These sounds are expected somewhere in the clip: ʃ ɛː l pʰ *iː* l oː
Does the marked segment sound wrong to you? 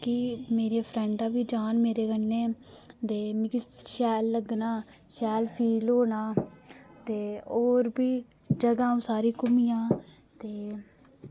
no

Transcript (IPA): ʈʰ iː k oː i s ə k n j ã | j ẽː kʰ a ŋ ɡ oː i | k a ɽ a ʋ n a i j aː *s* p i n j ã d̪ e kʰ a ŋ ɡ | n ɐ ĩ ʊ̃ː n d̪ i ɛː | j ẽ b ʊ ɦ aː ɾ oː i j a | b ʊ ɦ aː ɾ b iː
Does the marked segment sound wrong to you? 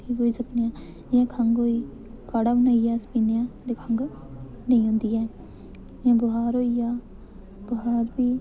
no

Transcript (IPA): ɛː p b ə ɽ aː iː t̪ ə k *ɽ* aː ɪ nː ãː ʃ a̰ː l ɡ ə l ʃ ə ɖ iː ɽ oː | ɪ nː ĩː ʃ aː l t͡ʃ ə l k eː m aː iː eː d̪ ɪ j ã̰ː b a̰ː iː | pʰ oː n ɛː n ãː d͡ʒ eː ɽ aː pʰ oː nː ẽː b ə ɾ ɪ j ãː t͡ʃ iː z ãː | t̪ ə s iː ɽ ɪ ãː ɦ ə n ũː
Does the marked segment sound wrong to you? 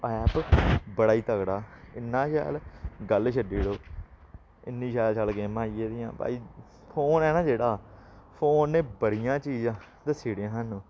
no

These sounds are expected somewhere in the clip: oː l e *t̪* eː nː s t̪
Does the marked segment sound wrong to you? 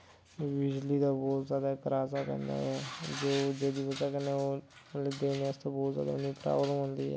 yes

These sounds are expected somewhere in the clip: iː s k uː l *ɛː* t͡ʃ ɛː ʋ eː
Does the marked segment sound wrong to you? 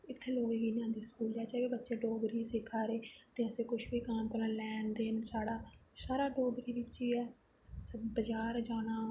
no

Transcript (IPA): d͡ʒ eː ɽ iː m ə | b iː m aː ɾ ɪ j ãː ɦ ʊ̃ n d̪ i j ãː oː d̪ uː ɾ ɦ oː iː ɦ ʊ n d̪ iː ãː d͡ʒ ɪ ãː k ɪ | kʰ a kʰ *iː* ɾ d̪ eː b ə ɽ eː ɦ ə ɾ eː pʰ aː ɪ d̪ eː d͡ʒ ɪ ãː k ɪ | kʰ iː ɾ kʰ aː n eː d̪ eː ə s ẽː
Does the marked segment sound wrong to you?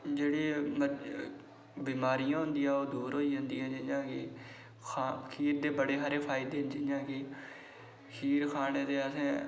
no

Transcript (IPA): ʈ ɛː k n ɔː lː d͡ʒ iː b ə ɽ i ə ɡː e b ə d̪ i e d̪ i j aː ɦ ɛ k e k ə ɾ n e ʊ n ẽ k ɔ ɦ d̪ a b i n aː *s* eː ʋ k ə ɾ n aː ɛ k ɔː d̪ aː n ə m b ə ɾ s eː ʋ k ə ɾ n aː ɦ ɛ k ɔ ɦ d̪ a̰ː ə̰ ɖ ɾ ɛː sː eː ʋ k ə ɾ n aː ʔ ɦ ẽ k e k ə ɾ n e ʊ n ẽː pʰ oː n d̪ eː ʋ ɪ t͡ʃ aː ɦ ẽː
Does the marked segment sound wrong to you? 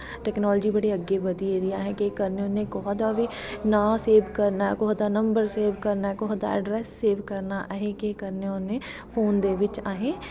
no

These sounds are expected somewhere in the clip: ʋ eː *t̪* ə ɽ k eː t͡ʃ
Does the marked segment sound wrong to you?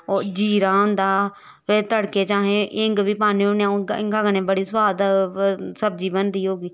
no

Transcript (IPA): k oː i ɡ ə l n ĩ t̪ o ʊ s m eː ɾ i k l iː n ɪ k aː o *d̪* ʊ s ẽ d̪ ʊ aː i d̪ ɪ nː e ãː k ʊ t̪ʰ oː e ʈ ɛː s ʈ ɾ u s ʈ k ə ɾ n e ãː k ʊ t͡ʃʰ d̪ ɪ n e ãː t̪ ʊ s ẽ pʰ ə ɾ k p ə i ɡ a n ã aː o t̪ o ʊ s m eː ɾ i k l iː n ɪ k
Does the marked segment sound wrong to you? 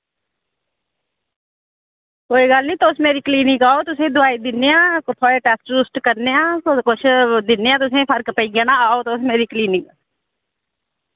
yes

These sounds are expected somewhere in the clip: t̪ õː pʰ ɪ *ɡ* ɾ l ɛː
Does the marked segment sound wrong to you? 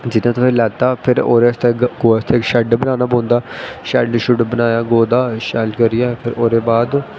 yes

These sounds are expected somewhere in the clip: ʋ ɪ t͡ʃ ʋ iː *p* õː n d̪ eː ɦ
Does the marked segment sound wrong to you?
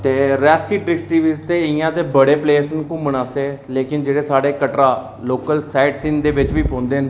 no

